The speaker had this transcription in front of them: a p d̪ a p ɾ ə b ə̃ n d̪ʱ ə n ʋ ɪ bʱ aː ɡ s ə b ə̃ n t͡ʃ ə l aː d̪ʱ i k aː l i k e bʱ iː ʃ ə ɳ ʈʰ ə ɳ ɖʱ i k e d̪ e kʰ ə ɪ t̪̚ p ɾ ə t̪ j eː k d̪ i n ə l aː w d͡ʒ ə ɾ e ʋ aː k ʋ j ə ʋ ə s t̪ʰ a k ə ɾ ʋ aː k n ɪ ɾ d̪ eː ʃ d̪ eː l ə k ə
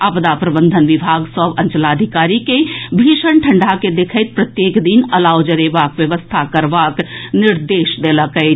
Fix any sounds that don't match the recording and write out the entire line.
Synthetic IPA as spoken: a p d̪ a p ɾ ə b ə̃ n d̪ʱ ə n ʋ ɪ bʱ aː ɡ s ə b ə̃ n t͡ʃ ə l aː d̪ʱ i k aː ɾ i k e bʱ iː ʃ ə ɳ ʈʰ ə ɳ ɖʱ a k e d̪ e kʰ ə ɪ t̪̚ p ɾ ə t̪ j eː k d̪ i n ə l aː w d͡ʒ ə ɾ e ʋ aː k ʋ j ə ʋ ə s t̪ʰ a k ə ɾ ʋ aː k n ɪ ɾ d̪ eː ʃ d̪ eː l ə k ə